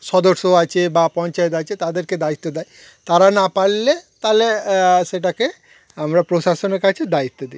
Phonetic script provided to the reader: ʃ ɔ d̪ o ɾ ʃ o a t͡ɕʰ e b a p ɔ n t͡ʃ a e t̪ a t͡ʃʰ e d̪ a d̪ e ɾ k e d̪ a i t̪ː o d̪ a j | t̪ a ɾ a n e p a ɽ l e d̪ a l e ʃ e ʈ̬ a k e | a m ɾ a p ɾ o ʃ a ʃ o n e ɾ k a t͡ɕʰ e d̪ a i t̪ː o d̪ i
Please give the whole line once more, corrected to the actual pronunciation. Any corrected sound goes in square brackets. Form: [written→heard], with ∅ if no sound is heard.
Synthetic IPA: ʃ ɔ d̪ o ɾ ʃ o a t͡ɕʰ e b a p ɔ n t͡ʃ a e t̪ a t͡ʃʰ e [d̪→t̪] a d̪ e ɾ k e d̪ a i t̪ː o d̪ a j | t̪ a ɾ a n [e→a] p a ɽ l e [d̪→t̪] a l e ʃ e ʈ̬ a k e | a m ɾ a p ɾ o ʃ a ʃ o n e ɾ k a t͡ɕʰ e d̪ a i t̪ː o d̪ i